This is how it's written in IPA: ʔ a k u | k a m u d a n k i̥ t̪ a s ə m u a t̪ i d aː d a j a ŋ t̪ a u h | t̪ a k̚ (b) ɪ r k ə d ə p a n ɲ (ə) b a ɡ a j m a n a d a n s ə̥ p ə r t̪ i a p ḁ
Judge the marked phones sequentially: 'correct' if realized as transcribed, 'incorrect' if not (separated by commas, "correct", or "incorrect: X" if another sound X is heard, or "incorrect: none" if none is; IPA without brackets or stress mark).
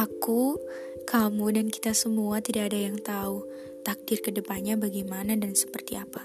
incorrect: d, incorrect: a